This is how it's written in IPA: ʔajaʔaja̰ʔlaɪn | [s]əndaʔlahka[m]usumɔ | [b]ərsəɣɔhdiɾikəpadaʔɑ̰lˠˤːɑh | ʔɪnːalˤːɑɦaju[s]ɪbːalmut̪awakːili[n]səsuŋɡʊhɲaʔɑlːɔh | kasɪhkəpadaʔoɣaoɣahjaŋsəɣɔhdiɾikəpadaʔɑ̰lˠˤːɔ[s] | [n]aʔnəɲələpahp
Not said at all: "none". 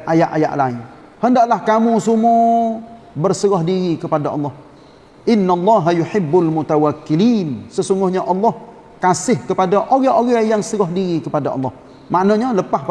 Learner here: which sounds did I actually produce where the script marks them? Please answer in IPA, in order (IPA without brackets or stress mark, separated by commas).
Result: h, m, b, ħ, n, h, m